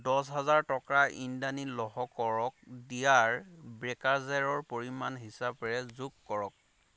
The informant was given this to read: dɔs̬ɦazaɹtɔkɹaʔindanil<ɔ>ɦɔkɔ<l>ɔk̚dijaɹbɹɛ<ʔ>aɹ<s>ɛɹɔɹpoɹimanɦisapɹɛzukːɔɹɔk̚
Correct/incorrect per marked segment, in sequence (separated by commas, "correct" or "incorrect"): correct, incorrect, incorrect, incorrect